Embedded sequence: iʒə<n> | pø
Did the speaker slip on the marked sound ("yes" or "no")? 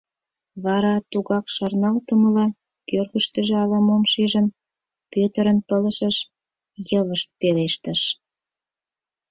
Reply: no